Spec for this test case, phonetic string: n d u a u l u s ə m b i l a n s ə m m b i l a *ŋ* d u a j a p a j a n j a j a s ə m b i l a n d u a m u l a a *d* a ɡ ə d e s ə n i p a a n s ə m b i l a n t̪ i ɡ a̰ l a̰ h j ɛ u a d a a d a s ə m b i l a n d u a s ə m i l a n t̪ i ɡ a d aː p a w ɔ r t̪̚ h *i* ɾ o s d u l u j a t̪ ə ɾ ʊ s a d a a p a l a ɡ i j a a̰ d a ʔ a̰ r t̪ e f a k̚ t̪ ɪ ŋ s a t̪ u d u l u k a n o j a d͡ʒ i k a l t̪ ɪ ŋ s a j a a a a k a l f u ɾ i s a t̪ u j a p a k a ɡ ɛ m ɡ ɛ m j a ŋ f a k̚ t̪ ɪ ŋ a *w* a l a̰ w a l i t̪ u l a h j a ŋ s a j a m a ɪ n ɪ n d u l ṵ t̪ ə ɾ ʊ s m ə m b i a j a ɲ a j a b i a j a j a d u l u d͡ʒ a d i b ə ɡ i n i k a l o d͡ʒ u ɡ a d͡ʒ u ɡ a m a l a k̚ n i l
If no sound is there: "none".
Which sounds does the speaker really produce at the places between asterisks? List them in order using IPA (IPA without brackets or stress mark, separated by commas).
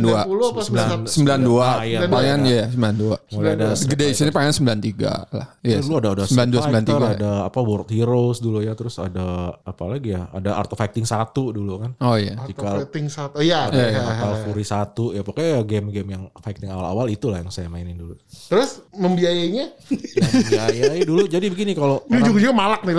n, d, i, w